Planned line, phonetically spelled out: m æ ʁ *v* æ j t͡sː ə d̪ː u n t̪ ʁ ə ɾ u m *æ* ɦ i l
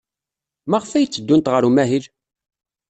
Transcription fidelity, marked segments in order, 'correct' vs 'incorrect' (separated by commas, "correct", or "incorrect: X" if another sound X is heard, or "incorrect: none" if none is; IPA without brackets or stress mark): incorrect: f, correct